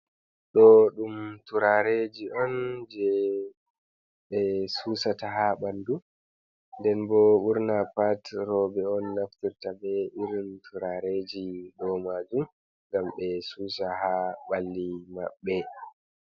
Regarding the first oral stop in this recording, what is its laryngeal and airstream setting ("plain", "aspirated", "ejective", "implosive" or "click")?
implosive